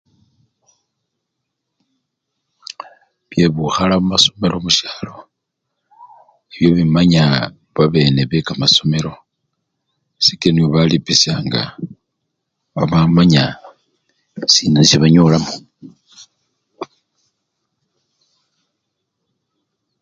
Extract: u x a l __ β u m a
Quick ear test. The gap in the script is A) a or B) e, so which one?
A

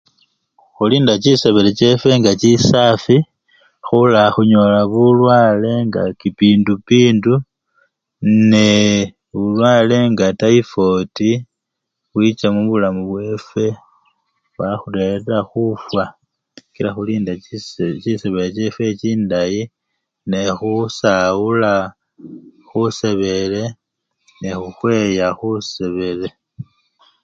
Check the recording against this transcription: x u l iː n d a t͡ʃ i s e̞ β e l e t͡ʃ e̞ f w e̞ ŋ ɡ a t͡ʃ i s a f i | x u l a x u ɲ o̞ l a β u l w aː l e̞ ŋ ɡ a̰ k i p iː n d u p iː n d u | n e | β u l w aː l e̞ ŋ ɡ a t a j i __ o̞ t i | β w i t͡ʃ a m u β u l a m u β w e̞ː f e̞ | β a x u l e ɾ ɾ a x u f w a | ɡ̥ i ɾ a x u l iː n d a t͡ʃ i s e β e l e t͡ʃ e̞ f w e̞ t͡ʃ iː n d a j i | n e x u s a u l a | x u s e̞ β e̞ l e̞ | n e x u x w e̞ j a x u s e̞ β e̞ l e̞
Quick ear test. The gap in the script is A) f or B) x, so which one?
A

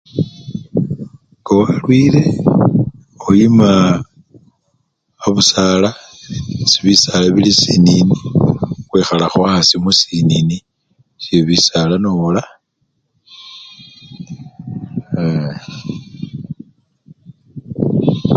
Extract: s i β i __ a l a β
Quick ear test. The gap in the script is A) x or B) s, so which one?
B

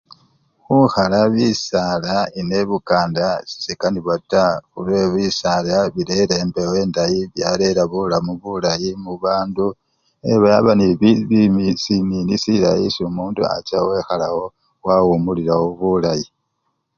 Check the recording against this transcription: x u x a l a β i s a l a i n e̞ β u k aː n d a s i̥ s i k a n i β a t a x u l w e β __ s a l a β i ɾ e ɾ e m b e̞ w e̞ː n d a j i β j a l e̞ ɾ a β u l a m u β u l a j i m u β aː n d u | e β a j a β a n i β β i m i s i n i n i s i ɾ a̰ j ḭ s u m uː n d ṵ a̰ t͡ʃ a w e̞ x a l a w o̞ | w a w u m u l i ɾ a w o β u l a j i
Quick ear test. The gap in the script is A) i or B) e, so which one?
A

